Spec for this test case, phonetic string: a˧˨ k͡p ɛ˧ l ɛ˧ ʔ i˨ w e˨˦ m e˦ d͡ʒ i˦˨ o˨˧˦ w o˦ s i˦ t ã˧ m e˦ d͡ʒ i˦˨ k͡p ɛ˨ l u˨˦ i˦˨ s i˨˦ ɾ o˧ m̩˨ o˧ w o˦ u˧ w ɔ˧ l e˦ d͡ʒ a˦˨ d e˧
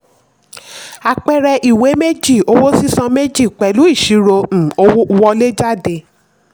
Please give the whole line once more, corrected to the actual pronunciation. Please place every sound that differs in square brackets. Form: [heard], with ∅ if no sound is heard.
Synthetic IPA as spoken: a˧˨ k͡p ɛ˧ [ɾ] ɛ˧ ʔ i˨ w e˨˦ m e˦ d͡ʒ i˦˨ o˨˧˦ w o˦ s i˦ [s] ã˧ m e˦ d͡ʒ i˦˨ k͡p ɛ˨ l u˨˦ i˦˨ [ʃ] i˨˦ ɾ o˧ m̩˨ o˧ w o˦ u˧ w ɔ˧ l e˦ d͡ʒ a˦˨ d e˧